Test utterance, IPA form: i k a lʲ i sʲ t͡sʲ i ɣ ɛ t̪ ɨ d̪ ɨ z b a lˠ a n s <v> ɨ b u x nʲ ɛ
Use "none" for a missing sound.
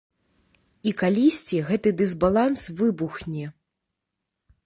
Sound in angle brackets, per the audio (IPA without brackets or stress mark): v